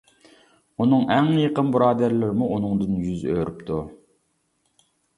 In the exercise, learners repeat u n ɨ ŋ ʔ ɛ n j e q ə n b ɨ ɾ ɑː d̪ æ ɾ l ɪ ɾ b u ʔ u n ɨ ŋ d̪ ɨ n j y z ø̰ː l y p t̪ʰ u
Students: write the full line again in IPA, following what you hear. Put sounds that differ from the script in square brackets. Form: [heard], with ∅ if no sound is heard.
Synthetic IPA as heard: u n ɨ ŋ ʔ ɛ [ŋ] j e q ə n b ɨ ɾ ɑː d̪ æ ɾ l ɪ ɾ [m] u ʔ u n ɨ ŋ d̪ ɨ n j y z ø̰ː [ɾ] y p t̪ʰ u